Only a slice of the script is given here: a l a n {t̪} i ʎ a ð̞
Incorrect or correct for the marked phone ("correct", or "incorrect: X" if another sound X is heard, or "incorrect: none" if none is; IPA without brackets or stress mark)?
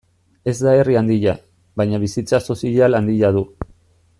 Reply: incorrect: d̪